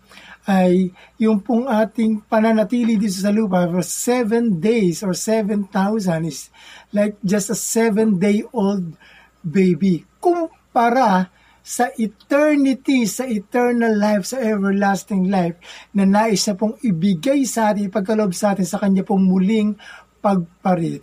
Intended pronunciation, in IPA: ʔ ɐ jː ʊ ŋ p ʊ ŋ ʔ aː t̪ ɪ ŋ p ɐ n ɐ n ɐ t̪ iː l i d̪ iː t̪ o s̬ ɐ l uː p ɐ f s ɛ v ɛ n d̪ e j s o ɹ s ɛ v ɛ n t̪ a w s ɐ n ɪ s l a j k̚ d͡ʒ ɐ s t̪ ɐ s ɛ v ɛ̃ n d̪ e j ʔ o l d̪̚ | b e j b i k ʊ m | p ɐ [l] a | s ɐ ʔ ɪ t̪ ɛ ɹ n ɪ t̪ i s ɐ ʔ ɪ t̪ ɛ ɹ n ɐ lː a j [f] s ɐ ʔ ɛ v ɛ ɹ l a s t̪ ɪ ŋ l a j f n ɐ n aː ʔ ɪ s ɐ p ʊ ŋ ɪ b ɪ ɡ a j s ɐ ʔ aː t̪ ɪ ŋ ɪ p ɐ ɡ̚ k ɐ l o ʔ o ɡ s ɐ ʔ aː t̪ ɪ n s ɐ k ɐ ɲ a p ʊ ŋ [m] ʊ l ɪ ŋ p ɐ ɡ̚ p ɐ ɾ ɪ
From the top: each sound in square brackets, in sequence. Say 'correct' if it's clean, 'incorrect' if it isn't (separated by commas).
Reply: incorrect, correct, correct